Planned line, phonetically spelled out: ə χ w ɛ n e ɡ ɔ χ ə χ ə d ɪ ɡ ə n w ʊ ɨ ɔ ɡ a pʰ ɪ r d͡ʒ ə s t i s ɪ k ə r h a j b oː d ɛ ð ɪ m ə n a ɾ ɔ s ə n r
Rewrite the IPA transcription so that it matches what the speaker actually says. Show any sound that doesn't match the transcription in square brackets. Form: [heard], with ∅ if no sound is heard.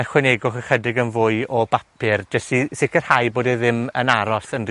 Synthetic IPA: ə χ w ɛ n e ɡ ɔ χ ə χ ə d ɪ ɡ ə n [v] ʊ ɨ ɔ [b] a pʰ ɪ r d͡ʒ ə s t i s ɪ k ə r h a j b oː d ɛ ð ɪ m ə n a ɾ ɔ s ə n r